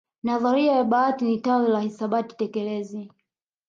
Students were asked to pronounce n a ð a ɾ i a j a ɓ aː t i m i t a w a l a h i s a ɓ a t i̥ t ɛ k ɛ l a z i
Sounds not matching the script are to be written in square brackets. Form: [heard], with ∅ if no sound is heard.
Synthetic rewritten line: n a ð a ɾ i a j a ɓ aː t i [n] i t a w [i] l a h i s a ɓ a t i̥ t ɛ k ɛ l [ɛ] z i